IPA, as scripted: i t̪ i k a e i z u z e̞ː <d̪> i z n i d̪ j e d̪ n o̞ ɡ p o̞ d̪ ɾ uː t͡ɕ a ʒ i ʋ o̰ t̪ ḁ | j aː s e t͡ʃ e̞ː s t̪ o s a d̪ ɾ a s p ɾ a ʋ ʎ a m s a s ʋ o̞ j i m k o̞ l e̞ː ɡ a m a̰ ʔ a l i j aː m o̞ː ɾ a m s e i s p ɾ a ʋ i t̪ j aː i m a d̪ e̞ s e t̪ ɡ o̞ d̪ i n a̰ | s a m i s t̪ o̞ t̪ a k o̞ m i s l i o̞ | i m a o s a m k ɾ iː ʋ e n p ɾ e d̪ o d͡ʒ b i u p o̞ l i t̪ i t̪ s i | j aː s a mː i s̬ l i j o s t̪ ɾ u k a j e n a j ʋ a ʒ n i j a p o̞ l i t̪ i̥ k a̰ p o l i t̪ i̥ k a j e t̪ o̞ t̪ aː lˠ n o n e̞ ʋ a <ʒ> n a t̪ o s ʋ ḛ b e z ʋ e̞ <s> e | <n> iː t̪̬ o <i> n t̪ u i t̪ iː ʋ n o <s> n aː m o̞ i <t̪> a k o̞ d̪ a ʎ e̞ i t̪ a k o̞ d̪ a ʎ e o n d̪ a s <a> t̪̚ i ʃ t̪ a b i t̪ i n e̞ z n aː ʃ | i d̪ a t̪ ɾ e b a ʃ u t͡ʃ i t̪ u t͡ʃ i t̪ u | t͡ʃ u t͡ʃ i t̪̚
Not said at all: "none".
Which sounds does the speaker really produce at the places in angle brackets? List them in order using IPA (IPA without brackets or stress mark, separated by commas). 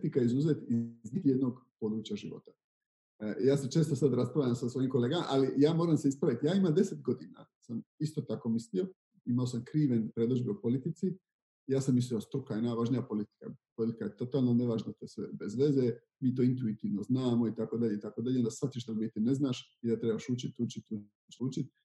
t̪, ʒ, z, m, i, z, t̪, a